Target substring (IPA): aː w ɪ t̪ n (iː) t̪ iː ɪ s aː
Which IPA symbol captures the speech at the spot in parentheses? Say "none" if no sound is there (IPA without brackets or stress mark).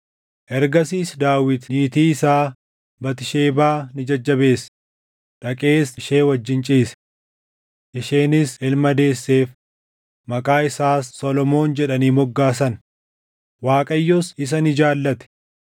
iː